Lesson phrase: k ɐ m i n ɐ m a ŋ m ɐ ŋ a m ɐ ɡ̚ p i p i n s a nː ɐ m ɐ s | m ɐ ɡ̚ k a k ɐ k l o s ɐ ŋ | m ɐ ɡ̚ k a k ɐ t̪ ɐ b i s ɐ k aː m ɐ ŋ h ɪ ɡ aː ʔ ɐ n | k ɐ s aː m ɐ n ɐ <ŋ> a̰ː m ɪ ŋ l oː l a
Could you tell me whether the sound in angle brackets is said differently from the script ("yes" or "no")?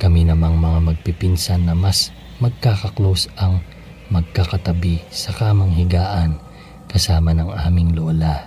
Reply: no